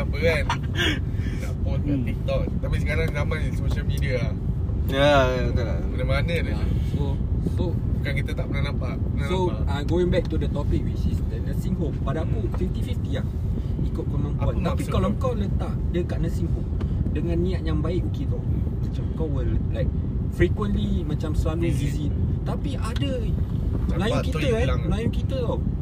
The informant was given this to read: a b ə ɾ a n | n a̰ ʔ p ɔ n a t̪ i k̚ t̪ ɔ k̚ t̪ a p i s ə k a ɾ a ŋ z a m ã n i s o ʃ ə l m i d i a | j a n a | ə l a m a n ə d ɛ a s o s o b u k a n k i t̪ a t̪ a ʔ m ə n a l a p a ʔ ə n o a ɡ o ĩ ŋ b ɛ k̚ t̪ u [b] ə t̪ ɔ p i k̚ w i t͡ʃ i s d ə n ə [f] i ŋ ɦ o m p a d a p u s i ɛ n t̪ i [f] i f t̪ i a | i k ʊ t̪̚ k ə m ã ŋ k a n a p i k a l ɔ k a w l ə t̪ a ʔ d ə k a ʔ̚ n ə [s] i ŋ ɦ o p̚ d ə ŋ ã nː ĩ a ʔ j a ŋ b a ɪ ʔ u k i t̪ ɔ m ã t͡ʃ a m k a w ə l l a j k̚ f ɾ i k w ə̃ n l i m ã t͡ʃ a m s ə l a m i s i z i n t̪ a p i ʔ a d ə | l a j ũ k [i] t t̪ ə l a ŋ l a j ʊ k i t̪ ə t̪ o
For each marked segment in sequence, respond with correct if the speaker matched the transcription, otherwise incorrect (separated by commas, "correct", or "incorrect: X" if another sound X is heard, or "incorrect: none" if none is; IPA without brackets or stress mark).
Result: incorrect: d, incorrect: s, correct, correct, correct